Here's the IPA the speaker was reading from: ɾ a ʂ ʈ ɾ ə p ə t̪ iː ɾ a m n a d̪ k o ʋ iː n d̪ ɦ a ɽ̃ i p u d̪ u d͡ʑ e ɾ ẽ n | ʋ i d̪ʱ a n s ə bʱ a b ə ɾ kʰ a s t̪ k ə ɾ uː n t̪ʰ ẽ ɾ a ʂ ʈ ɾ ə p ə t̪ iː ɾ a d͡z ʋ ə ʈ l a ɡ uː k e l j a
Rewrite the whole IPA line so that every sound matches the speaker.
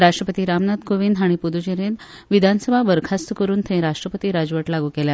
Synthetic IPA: ɾ a ʂ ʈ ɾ ə p ə t̪ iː ɾ a m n a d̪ k o ʋ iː n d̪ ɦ a ɽ̃ i p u d̪ u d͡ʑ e ɾ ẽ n | ʋ i d̪ʱ a n s ə bʱ a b ə ɾ kʰ a s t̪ k ə ɾ uː n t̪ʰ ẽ ɾ a ʂ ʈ ɾ ə p ə t̪ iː ɾ a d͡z ʋ ə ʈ l a ɡ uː k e l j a